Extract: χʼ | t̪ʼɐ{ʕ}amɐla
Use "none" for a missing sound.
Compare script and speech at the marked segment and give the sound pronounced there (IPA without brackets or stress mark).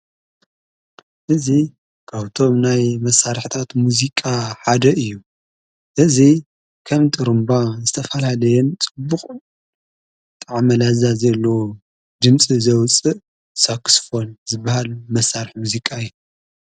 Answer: ʕ